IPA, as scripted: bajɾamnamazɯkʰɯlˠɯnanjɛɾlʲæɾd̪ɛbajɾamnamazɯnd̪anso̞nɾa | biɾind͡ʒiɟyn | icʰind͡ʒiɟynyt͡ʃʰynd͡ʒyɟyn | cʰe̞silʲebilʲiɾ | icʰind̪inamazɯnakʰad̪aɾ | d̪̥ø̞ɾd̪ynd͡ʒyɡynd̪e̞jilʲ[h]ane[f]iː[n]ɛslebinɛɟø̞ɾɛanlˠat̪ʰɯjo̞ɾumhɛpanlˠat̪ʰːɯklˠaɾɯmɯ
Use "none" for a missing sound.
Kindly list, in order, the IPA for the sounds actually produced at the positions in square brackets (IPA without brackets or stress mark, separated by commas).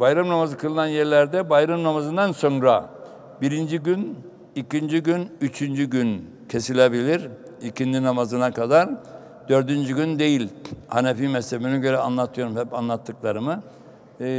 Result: h, f, m